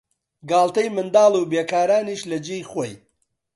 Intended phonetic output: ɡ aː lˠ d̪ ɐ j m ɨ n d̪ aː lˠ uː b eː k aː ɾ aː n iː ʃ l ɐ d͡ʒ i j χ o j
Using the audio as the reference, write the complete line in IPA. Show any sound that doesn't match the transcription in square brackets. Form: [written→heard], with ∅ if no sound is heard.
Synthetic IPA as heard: ɡ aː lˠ [d̪→t̪] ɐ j m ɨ n d̪ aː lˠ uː b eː k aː ɾ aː n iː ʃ l ɐ d͡ʒ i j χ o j